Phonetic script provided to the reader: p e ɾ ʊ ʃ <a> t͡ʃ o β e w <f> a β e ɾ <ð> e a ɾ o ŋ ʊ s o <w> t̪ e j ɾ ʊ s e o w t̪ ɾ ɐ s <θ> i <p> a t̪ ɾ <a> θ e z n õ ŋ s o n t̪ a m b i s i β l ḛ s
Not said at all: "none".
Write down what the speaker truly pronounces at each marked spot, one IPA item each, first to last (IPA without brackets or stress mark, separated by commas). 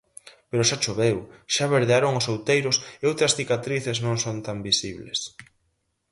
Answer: a, ʃ, ð, w, θ, k, i